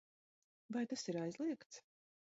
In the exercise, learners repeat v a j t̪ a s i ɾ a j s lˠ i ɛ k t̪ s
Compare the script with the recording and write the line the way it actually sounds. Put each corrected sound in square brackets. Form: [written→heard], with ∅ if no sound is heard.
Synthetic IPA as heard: v a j t̪ a s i ɾ a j [s→z] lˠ i ɛ k t̪ s